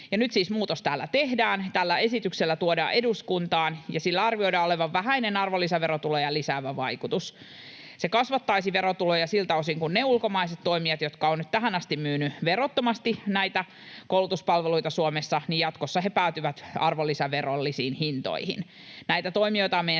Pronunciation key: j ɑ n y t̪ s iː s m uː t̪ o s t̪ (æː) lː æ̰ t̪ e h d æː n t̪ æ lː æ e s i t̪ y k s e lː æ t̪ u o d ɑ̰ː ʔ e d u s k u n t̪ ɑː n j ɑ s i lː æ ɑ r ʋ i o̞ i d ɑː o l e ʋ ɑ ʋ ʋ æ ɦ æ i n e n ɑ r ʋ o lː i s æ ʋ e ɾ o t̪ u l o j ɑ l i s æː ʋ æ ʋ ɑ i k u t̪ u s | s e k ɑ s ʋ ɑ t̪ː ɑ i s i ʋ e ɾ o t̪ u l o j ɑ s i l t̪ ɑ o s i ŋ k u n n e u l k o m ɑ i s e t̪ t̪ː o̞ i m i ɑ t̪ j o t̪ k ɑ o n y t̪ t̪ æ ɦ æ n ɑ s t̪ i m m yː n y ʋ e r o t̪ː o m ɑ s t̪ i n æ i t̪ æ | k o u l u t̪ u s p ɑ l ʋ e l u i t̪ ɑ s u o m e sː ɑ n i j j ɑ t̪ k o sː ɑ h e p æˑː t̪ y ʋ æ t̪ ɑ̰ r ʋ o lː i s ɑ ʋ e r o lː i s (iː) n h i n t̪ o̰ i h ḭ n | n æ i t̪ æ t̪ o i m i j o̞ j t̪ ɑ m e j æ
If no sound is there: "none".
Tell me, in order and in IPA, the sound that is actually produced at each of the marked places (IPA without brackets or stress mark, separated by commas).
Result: æː, iː